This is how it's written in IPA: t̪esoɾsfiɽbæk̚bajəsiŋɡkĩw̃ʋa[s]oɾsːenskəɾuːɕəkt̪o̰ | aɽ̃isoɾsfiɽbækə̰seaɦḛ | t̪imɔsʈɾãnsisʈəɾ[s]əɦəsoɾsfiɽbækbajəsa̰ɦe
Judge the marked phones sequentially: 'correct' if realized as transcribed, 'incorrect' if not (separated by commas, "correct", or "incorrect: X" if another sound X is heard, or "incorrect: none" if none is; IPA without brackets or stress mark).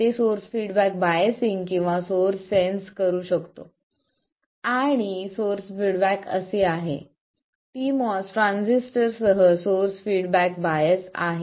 correct, correct